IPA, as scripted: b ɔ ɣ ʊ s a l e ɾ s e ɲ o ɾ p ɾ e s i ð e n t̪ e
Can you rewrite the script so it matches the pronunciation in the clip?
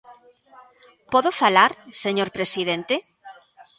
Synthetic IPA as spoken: p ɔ ð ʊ f a l a ɾ s e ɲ o ɾ p ɾ e s i ð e n t̪ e